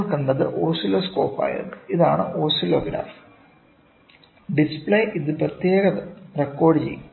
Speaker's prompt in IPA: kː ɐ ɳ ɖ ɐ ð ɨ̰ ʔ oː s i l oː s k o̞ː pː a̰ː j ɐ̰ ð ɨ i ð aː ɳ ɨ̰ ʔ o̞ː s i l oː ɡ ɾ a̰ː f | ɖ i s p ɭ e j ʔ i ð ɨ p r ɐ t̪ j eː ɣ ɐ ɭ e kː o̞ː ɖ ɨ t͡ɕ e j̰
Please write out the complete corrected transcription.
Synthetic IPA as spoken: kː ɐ ɳ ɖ ɐ ð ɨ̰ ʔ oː s i l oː s k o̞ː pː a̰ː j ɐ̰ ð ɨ i ð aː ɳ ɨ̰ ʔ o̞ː s i l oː ɡ ɾ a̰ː f | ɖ i s p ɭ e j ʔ i ð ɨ p r ɐ t̪ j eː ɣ ɐ r e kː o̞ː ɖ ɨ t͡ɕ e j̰